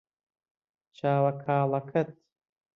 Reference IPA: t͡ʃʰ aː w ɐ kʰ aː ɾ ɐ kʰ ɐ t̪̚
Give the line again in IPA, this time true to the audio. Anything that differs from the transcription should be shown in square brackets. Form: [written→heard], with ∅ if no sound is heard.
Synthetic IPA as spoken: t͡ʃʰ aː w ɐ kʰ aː [ɾ→l] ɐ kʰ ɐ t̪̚